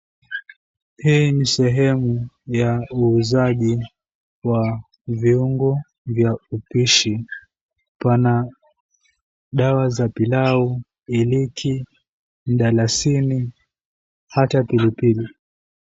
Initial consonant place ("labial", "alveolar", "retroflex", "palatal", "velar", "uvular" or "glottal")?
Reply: glottal